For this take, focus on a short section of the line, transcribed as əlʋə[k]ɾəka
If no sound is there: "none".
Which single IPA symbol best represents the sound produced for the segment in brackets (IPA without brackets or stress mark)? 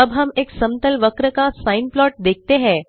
k